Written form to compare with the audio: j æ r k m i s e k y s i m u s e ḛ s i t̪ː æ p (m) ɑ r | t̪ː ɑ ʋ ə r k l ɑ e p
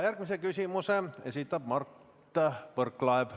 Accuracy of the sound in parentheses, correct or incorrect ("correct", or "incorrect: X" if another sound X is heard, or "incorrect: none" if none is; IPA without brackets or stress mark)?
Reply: correct